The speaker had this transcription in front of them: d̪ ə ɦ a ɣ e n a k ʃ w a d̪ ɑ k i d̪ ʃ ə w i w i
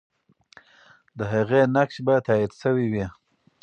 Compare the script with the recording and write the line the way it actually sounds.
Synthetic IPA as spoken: d̪ ə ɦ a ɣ e n a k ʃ b a t̪ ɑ i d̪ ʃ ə w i w i